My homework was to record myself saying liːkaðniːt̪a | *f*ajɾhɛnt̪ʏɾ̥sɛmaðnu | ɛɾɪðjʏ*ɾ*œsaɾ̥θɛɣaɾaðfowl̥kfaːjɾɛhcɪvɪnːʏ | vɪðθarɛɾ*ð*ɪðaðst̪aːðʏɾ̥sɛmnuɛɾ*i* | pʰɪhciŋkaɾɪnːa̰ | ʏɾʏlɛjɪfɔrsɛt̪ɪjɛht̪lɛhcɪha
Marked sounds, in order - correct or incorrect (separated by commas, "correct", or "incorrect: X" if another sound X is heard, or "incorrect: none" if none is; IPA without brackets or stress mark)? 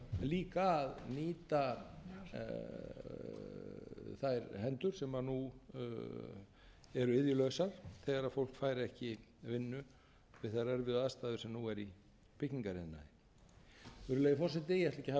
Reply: incorrect: θ, incorrect: l, incorrect: v, correct